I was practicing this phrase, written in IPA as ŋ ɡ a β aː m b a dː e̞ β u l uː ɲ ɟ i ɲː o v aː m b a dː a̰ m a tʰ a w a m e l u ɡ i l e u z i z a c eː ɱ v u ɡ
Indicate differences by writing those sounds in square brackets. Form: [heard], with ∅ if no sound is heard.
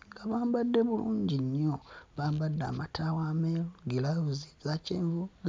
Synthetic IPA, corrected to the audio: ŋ ɡ a β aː m b a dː e̞ β u l uː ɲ ɟ i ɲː o [β] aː m b a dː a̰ m a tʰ a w a m e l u ɡ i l [a] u z i z a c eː ɱ v u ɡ